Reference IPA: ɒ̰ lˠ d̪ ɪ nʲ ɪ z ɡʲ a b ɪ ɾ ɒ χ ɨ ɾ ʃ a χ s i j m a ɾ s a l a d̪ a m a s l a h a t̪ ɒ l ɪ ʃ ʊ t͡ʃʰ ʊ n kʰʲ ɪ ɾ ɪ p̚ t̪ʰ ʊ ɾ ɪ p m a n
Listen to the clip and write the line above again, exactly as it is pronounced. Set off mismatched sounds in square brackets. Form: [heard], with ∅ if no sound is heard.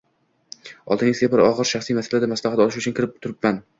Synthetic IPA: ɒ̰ lˠ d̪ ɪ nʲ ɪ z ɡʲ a b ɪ ɾ ɒ [ʁ] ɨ ɾ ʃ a χ s i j m a [∅] s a l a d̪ a m a s l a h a t̪ ɒ l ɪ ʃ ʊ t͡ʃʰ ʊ n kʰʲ ɪ ɾ ɪ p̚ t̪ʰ ʊ ɾ ɪ p m a n